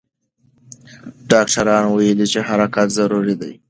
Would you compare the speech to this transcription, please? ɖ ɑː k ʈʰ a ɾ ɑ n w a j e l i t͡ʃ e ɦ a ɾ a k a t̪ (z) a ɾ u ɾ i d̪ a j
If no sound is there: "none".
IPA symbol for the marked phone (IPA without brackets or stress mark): z